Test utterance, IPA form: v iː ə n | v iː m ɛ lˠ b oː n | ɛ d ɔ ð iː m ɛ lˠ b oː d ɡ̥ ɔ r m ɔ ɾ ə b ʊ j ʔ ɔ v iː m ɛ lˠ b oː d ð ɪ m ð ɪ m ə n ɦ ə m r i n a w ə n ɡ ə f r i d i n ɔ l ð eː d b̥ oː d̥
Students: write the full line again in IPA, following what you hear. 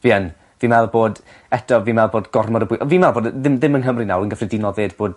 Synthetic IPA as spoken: v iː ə n | v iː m ɛ lˠ b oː d | ɛ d ɔ v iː m ɛ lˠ b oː d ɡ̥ ɔ r m ɔ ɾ ə b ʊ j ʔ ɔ v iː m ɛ lˠ b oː d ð ɪ m ð ɪ m ə n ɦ ə m r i n a w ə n ɡ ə f r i d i n ɔ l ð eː d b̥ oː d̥